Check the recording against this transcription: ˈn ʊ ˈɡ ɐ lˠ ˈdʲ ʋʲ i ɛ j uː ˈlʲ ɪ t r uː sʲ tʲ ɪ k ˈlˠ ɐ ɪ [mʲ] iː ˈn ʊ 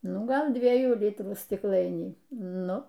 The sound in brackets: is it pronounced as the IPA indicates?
no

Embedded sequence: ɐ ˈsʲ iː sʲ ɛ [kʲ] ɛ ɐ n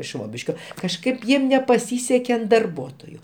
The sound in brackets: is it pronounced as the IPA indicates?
yes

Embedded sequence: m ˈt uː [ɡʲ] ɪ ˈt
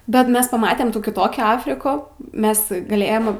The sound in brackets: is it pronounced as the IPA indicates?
no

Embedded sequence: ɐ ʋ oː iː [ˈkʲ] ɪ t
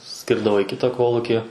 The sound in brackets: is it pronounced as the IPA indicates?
yes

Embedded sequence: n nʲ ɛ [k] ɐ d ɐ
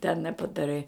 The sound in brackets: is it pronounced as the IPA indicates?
no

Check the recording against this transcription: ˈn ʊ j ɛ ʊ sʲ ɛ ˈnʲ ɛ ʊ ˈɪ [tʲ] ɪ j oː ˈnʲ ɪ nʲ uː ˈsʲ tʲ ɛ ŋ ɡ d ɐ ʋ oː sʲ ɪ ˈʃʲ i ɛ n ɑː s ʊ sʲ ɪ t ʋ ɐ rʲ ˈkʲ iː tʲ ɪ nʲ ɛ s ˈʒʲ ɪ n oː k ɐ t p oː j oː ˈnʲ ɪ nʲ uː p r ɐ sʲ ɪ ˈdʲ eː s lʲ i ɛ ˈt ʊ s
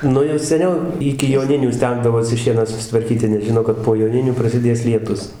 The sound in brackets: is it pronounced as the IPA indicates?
no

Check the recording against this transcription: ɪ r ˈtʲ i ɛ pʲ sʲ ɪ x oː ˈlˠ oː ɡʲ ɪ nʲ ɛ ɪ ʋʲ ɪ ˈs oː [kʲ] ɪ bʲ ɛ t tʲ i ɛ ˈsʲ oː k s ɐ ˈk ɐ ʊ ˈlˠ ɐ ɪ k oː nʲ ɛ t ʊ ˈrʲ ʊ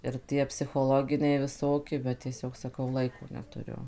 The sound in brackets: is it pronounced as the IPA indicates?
yes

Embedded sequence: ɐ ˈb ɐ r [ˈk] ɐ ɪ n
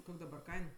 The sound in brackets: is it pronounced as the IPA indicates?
yes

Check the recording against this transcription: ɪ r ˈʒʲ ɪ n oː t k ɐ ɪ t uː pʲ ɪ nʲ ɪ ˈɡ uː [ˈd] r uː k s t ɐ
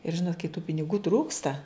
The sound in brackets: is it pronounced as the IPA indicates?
no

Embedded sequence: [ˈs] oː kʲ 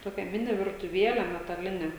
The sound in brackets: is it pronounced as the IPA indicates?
no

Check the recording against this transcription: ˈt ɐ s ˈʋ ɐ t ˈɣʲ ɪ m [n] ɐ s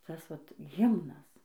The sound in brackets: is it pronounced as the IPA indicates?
yes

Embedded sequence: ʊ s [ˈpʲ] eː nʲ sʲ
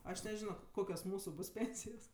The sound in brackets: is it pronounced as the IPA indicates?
yes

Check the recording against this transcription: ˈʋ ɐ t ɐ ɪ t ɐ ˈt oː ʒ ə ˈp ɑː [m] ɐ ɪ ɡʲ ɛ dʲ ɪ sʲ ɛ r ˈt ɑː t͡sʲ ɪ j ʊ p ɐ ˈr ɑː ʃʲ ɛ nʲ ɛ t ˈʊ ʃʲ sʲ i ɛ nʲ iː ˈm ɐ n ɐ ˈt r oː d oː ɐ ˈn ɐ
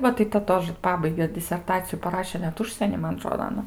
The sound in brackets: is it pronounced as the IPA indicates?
no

